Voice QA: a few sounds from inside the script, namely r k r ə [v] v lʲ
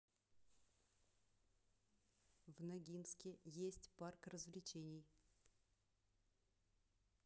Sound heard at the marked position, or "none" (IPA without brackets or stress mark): z